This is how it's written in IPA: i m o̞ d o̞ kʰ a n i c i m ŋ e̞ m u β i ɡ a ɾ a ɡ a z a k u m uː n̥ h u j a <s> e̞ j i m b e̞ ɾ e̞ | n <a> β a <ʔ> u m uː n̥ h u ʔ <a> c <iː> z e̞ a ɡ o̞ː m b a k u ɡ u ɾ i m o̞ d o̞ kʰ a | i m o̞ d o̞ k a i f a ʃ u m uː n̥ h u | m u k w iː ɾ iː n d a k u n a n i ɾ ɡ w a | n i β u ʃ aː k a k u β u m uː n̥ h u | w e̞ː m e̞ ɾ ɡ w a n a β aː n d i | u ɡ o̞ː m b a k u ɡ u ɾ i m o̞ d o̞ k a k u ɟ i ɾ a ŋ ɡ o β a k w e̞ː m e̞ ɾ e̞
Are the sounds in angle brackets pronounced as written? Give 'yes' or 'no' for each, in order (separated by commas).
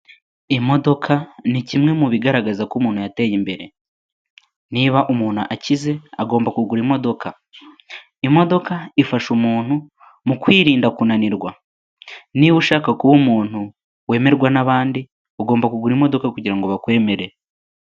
no, no, yes, yes, no